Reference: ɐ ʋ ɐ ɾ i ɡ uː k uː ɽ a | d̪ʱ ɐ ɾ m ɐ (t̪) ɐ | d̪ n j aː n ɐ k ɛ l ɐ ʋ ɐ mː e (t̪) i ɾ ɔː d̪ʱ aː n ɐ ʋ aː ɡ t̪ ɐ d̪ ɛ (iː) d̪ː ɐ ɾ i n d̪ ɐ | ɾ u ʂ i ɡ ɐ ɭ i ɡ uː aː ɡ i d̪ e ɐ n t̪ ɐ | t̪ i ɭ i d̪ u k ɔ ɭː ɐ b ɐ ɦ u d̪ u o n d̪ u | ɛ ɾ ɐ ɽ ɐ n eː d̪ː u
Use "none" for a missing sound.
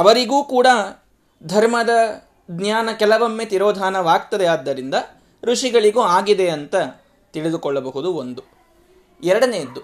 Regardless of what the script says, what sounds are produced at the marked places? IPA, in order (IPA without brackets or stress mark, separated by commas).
d̪, t̪, aː